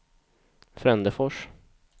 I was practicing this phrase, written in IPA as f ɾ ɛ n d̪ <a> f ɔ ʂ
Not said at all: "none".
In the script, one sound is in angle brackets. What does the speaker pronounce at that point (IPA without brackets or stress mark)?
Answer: ə